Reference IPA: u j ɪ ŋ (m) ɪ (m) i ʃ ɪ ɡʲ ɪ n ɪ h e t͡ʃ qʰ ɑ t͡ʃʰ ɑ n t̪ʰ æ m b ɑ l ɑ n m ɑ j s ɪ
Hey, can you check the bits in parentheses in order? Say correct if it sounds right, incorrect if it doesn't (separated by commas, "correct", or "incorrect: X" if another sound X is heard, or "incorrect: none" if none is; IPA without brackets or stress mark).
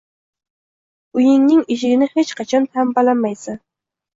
incorrect: n, incorrect: ŋ